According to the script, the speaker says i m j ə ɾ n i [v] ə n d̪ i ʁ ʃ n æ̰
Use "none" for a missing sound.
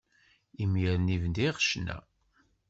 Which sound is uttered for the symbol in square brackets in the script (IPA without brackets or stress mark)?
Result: v